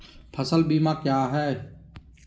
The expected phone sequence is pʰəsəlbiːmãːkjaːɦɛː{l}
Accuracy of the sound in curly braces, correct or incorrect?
incorrect